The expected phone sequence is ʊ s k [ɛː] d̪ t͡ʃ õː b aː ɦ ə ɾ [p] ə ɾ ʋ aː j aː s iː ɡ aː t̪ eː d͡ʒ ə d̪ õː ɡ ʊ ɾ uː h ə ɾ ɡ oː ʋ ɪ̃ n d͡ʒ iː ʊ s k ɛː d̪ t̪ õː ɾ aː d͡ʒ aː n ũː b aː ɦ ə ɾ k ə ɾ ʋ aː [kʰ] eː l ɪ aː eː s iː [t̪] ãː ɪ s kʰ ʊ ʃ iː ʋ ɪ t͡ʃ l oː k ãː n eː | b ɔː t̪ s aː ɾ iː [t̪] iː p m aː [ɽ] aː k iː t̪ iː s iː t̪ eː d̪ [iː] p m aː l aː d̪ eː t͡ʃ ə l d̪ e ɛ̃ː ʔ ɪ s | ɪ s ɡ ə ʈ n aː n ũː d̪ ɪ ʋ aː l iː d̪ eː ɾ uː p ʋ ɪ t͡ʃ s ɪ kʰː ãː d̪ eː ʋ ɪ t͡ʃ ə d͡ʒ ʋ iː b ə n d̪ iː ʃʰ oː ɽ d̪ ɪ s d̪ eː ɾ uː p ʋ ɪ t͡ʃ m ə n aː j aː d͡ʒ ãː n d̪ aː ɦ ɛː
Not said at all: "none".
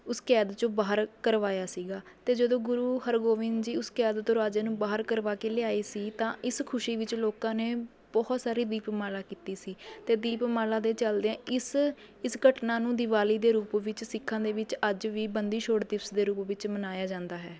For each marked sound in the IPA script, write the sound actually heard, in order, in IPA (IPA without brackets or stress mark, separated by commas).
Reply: ɛː, k, k, t̪, d̪, l, iː